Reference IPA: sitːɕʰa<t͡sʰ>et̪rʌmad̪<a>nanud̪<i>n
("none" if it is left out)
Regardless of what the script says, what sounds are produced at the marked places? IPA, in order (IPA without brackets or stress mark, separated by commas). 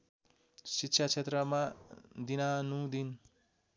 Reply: t͡sʰ, i, i